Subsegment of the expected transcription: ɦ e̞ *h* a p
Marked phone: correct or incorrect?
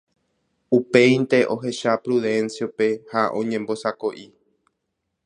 incorrect